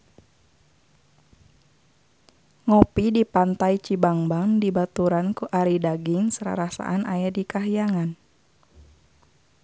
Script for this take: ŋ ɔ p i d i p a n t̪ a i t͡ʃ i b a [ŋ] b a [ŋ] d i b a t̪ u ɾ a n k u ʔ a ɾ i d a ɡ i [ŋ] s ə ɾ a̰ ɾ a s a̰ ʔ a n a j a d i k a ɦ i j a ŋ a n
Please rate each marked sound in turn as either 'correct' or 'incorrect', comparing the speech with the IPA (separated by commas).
correct, correct, correct